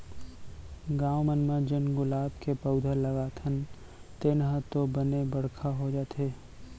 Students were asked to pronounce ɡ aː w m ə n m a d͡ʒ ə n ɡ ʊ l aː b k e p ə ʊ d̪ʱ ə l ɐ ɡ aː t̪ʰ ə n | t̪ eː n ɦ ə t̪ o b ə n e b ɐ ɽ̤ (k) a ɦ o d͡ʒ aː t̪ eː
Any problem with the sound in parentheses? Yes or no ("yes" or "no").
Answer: yes